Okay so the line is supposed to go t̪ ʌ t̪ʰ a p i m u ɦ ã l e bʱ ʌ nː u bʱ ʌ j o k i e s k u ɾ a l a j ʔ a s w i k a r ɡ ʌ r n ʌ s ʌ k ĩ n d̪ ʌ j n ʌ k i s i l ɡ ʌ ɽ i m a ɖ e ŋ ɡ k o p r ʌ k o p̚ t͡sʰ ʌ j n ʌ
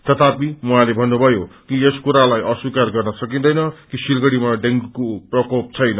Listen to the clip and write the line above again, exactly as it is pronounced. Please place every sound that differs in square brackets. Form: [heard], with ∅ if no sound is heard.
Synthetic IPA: t̪ ʌ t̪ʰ a p i m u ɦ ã l e bʱ ʌ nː u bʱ ʌ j o k i e s k u ɾ a l a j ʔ [ʌ] s w i k a r ɡ ʌ r n ʌ s ʌ k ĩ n d̪ ʌ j n ʌ k i s i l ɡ ʌ ɽ i m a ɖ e ŋ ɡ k o p r ʌ k o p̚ t͡sʰ ʌ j n ʌ

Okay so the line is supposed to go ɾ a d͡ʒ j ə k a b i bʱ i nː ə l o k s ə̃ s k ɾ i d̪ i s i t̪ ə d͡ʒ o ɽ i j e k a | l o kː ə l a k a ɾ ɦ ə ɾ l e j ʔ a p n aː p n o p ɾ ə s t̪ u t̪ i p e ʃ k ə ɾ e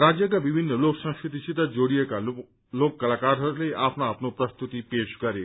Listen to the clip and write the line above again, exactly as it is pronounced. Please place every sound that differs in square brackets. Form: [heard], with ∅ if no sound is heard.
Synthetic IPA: ɾ a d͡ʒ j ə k a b i bʱ i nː ə l o k s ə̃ s k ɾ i [t̪] i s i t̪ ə d͡ʒ o ɽ i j e k a | l o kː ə l a k a ɾ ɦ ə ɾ l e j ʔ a p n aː p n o p ɾ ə s t̪ u t̪ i p e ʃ k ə ɾ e

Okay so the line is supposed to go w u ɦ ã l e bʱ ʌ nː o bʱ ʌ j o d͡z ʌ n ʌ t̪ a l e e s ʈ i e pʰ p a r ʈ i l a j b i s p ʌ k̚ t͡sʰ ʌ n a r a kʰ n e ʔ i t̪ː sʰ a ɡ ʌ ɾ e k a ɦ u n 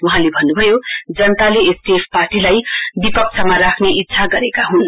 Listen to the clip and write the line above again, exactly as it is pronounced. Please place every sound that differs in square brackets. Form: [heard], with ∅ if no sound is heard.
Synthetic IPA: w u ɦ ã l e bʱ ʌ nː [u] bʱ ʌ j o d͡z ʌ n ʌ t̪ a l e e s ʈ i e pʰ p a r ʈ i l a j b i [∅] p ʌ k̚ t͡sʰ ʌ [m] a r a kʰ n e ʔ i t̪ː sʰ a ɡ ʌ ɾ e k a ɦ u n

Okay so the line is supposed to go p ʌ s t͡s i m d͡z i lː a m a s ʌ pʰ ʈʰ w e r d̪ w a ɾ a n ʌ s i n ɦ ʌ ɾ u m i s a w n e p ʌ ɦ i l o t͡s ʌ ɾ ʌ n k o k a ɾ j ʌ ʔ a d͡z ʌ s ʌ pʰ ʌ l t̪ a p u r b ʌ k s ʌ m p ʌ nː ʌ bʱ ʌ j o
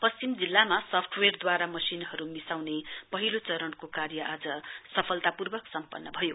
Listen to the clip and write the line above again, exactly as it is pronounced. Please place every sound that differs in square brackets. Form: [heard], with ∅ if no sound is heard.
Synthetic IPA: p ʌ s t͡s i m d͡z i lː a m a s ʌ pʰ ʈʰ w e r d̪ w a ɾ a [m] ʌ s i n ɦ ʌ ɾ u m i s a w n e p ʌ ɦ i l o t͡s ʌ ɾ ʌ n k o k a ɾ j ʌ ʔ a d͡z ʌ s ʌ pʰ ʌ l t̪ a p u r b ʌ k s ʌ m p ʌ nː ʌ bʱ ʌ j o

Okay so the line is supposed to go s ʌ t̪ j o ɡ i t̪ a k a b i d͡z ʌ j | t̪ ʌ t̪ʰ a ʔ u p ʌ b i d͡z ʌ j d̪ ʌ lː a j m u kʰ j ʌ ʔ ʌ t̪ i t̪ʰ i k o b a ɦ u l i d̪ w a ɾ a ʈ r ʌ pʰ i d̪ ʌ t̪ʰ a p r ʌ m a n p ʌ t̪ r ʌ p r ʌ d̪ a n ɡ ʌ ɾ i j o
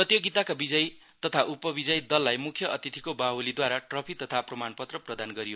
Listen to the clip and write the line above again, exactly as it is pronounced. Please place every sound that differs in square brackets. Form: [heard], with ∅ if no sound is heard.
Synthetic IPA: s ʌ t̪ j o ɡ i t̪ a k a b i d͡z ʌ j | t̪ ʌ t̪ʰ a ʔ u p ʌ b i d͡z ʌ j d̪ ʌ lː a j m u kʰ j ʌ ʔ ʌ t̪ i t̪ʰ i k o b a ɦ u l i d̪ w a ɾ a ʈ r ʌ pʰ i [t̪] ʌ t̪ʰ a p r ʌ m a n p ʌ t̪ r ʌ p r ʌ d̪ a n ɡ ʌ ɾ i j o

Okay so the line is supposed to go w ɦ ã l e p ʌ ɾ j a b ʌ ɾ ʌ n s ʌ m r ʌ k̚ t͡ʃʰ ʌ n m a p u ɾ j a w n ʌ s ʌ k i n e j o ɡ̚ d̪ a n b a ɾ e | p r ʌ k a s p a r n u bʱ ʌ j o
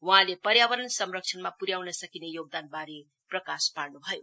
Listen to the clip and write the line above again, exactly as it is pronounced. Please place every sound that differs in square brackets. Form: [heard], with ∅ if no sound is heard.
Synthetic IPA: w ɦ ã l e p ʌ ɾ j a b ʌ ɾ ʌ n s ʌ m r ʌ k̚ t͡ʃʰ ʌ n m a p u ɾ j a w n ʌ s ʌ k i n e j o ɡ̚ d̪ a n b a ɾ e | p r ʌ k a s p a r n u bʱ ʌ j o

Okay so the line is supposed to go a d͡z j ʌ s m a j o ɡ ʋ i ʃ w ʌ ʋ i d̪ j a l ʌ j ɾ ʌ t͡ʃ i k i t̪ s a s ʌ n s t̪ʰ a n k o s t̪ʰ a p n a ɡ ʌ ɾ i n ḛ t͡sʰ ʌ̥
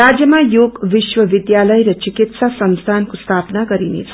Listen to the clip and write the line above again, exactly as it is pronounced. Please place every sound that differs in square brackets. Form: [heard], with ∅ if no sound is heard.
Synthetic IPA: a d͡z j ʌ [∅] m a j o ɡ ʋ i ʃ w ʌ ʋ i d̪ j a l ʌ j ɾ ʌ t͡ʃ i k i t̪ s a s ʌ n s t̪ʰ a n k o s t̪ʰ a p n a ɡ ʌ ɾ i n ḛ t͡sʰ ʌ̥

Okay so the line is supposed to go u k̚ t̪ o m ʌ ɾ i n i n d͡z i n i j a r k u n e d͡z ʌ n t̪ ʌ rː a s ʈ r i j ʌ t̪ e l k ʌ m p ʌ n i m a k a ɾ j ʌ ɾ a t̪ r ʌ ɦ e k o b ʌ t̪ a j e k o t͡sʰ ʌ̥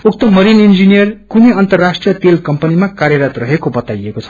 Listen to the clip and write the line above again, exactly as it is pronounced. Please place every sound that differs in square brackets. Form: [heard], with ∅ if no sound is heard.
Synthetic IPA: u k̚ t̪ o m ʌ ɾ i n i n d͡z i n i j [ʌ] r k u n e [∅] ʌ n t̪ ʌ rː a s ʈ r i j ʌ t̪ e l k ʌ m p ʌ n i m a k a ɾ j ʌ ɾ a t̪ r ʌ ɦ e k o b ʌ t̪ a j e k o t͡sʰ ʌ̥

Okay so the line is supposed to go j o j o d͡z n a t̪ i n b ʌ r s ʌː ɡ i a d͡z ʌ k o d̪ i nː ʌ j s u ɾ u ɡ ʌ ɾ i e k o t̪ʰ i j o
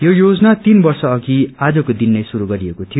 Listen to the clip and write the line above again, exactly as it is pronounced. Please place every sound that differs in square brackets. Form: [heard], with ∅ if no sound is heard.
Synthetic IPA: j o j o d͡z n a t̪ i n b ʌ r s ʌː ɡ i a d͡z ʌ k o d̪ i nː ʌ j s u ɾ u ɡ ʌ ɾ i e k o t̪ʰ i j o

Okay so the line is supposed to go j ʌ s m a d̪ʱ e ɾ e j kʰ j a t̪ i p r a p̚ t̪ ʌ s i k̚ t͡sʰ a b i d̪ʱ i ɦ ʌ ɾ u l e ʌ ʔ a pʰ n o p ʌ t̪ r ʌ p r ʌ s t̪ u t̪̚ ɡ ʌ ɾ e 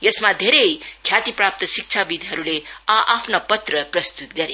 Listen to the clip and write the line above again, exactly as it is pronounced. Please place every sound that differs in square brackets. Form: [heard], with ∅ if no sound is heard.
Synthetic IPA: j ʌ s m a d̪ʱ e ɾ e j kʰ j a t̪ i p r a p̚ t̪ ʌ s i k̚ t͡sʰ a b i d̪ʱ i ɦ ʌ ɾ u l e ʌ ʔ a pʰ n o p ʌ t̪ r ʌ p r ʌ s t̪ u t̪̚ ɡ ʌ ɾ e

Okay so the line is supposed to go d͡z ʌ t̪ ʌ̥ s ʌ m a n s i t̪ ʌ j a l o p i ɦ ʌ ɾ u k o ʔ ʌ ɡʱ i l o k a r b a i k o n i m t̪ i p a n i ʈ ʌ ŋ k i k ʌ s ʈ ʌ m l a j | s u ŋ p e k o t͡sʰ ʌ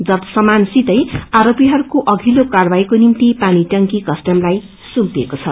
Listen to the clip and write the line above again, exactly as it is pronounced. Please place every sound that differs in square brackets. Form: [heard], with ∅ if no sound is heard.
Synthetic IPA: d͡z ʌ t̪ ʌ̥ s ʌ m a n s i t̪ ʌ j a [ɾ] o p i ɦ ʌ ɾ u k o ʔ ʌ ɡʱ i l o k a r b a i k o n i m t̪ i p a n i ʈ ʌ ŋ k i k ʌ s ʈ ʌ m l a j | s u [m] p e k o t͡sʰ ʌ

